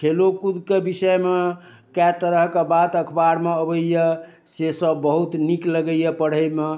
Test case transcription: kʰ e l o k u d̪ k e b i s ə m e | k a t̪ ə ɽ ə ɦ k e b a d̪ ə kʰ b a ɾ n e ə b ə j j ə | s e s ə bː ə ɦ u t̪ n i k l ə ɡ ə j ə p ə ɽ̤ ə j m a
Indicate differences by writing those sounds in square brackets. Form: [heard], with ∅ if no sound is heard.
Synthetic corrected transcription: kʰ e l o k u d̪ k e b i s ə m e | k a t̪ ə [ɾ] ə ɦ k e b a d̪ ə kʰ b a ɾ [m] e ə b ə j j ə | s e s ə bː ə ɦ u t̪ n i k l ə ɡ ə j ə p ə ɽ̤ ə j m [e]